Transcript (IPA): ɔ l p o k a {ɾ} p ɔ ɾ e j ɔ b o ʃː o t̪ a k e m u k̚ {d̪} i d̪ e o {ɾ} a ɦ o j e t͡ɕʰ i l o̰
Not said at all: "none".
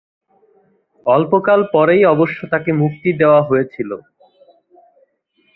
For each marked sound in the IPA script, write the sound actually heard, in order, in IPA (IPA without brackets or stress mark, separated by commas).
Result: l, t̪, none